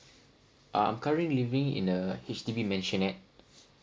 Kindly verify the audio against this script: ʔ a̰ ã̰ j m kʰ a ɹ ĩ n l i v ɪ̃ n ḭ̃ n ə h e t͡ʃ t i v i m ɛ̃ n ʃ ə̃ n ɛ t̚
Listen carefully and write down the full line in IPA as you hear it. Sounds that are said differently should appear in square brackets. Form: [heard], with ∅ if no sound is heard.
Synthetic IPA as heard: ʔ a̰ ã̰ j m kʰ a ɹ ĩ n l i v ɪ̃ [ŋ] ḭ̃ n ə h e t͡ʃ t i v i m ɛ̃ n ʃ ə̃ n ɛ t̚